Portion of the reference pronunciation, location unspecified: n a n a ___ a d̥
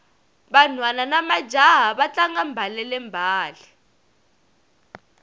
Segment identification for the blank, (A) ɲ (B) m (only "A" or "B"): B